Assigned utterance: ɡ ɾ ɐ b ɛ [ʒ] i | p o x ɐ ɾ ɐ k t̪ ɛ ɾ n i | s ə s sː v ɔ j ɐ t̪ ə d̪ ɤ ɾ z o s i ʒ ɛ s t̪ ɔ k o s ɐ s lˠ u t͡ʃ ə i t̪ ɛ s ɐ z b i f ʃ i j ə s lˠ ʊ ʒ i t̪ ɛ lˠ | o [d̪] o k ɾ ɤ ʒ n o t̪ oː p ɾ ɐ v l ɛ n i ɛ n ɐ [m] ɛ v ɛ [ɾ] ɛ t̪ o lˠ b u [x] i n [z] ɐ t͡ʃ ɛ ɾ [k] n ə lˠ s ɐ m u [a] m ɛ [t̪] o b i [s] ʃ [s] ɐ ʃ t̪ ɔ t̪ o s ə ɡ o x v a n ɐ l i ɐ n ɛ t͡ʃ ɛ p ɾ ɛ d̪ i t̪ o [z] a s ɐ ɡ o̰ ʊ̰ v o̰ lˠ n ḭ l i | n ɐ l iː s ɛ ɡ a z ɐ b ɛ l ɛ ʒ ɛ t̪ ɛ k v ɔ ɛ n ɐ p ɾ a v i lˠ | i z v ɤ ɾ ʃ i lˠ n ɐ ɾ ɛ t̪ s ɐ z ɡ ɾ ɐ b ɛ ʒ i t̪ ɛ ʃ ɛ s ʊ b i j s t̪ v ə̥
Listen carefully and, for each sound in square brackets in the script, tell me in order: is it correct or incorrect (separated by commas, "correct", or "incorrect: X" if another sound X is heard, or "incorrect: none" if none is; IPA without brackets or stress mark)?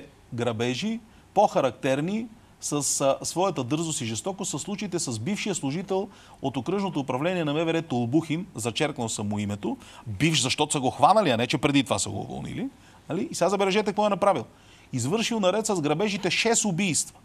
correct, incorrect: t̪, correct, correct, correct, correct, correct, incorrect: i, correct, incorrect: f, incorrect: z, incorrect: v